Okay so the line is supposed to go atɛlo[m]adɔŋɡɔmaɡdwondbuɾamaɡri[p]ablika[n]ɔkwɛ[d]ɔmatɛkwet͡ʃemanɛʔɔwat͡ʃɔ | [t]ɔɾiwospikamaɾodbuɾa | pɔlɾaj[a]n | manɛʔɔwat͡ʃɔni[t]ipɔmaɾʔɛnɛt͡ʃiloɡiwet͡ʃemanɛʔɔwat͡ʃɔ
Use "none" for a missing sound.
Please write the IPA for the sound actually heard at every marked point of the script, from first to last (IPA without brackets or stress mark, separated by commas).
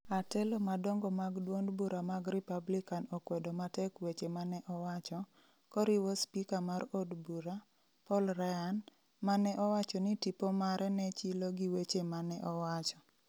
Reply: m, p, n, d, k, a, t